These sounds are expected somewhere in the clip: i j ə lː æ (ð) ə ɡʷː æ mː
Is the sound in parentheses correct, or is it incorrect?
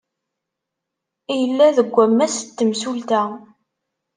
correct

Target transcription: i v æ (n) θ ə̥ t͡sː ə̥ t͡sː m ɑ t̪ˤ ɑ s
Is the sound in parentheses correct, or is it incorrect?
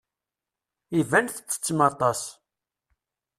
correct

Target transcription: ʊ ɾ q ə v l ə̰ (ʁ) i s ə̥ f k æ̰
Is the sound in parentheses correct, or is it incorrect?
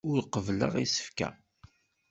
correct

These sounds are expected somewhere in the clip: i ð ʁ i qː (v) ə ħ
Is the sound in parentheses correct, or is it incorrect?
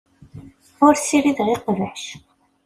correct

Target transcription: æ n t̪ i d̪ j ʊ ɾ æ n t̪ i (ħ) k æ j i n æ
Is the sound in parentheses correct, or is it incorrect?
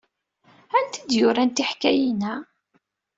correct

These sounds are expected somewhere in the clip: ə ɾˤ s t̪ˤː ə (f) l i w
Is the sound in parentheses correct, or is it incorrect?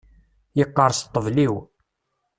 incorrect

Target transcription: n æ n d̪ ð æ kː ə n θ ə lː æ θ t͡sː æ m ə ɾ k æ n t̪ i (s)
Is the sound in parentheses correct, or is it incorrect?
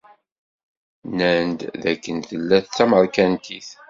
incorrect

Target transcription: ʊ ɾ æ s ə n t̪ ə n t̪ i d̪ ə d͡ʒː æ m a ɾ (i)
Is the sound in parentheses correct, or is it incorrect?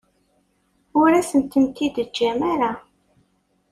incorrect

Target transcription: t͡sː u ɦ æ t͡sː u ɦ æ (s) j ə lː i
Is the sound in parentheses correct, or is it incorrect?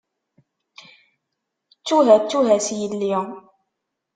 correct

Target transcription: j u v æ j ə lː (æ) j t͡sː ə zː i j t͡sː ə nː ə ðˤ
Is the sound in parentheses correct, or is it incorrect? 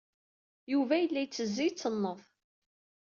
correct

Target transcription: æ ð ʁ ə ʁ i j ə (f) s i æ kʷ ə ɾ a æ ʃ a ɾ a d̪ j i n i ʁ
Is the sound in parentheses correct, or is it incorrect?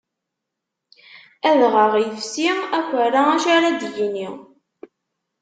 correct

